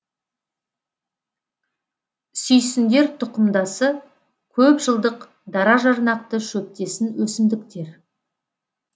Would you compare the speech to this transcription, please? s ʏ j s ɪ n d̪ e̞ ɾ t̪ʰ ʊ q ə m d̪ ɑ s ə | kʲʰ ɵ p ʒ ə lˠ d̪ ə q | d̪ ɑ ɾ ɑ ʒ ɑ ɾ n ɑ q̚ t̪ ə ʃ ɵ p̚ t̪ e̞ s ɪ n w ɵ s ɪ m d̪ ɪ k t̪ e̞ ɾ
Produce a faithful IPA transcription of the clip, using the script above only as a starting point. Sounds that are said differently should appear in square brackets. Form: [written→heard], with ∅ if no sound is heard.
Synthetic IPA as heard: s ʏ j s ɪ n d̪ e̞ ɾ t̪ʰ ʊ q ə m d̪ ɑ s ə | kʲʰ ɵ p ʒ ə lˠ d̪ ə q | d̪ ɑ ɾ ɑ ʒ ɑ ɾ n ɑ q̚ t̪ ə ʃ ɵ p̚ t̪ e̞ s ɪ n w ɵ s ɪ m d̪ ɪ k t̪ e̞ ɾ

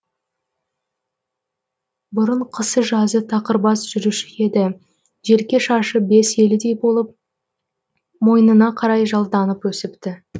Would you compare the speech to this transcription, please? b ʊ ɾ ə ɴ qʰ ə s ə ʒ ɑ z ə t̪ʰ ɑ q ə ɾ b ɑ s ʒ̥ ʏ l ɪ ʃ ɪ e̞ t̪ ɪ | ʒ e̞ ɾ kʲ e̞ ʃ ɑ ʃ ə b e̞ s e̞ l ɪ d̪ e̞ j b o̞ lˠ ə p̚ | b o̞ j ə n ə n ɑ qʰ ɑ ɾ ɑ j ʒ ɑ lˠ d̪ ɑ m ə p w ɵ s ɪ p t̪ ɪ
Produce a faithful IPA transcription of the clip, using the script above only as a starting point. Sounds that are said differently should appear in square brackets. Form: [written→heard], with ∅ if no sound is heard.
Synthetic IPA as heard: b ʊ ɾ ə ɴ qʰ ə s ə ʒ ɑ z ə t̪ʰ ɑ q ə ɾ b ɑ s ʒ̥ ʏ [l→ɾ] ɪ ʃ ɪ e̞ [t̪→d̪] ɪ | ʒ e̞ ɾ kʲ e̞ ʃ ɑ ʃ ə b e̞ s e̞ l ɪ d̪ e̞ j b o̞ lˠ ə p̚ | [b→m] o̞ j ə n ə n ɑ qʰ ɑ ɾ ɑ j ʒ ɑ lˠ d̪ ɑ [m→n] ə p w ɵ s ɪ p t̪ ɪ

